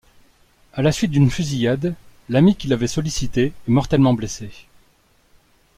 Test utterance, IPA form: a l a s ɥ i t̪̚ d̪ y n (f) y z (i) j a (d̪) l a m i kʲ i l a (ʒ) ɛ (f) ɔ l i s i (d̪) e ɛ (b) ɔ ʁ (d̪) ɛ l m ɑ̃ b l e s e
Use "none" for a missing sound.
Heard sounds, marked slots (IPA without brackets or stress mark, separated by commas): f, i, d̪, v, s, t̪, m, t̪